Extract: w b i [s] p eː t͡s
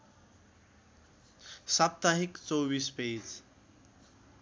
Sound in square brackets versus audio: correct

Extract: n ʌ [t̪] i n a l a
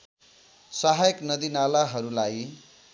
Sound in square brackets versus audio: incorrect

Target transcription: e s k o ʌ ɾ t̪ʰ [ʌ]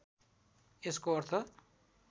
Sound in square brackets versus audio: correct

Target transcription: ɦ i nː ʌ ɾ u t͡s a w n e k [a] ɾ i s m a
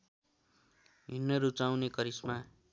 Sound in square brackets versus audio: incorrect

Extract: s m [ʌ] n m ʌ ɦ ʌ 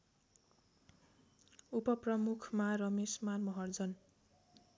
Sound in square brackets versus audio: incorrect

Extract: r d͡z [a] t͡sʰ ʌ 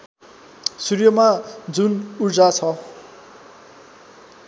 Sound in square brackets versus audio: correct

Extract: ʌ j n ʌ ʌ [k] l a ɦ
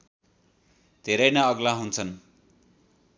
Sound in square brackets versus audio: incorrect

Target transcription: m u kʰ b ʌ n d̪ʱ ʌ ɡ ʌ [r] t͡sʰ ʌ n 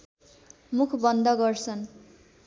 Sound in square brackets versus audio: correct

